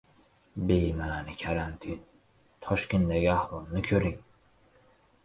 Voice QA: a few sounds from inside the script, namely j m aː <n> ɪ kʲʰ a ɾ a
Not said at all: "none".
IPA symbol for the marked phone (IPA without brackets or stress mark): n